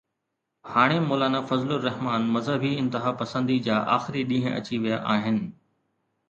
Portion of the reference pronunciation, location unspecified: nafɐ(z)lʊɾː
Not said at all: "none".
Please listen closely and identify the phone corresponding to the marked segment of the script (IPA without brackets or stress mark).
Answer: z